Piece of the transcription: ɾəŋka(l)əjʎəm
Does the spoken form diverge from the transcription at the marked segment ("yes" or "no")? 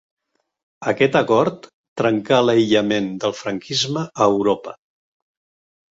no